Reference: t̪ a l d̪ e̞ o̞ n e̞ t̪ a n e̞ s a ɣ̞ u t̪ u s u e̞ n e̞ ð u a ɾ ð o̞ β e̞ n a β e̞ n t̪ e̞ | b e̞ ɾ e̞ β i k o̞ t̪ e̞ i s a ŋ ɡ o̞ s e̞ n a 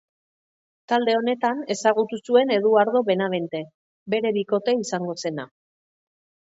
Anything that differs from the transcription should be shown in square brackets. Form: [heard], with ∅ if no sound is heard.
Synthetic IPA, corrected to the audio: t̪ a l d̪ e̞ o̞ n e̞ t̪ a n e̞ s a ɣ̞ u t̪ u s u e̞ n e̞ ð u a ɾ ð o̞ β e̞ n a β e̞ n t̪ e̞ | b e̞ ɾ e̞ β i k o̞ t̪ e̞ i s a ŋ ɡ o̞ s e̞ n a